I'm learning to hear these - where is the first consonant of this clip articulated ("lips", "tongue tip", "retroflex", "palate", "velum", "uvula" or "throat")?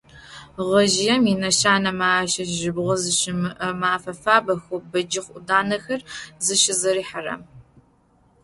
uvula